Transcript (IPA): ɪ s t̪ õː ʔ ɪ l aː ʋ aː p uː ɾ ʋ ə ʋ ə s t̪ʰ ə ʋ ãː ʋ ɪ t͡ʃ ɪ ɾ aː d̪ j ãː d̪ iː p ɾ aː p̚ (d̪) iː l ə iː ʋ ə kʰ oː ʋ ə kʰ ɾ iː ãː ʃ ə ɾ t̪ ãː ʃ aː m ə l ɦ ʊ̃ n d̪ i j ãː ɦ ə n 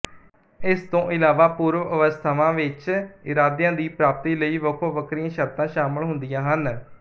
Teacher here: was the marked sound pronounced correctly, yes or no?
no